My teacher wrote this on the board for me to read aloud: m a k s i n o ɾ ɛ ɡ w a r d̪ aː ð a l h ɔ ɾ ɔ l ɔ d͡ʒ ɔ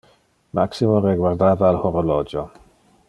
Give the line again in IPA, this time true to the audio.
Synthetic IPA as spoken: m a k s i m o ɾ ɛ ɡ w a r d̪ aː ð a l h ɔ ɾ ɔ l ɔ d͡ʒ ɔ